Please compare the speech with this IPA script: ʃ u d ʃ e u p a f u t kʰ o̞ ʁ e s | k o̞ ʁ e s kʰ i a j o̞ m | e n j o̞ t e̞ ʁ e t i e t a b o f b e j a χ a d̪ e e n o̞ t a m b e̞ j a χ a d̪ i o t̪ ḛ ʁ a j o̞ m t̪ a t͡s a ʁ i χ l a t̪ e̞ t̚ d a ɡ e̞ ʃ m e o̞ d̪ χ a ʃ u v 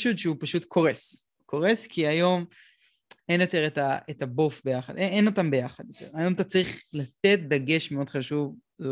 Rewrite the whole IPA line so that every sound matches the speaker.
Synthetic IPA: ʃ u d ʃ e u p a ʃ u t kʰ o̞ ʁ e s | k o̞ ʁ e s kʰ i a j o̞ m | e n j o̞ t e̞ ʁ e t a e t a b o f b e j a χ a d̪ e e n o̞ t a m b e̞ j a χ a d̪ j o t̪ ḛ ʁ a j o̞ m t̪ a t͡s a ʁ i χ l a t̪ e̞ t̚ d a ɡ e̞ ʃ m e o̞ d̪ χ a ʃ u v